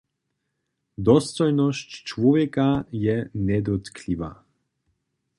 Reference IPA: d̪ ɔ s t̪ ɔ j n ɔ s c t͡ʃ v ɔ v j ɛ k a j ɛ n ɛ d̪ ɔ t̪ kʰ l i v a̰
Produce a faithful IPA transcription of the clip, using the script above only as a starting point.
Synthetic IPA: d̪ ɔ s t̪ ɔ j n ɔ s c t͡ʃ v ɔ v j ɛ k a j ɛ n ɛ d̪ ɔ t̪ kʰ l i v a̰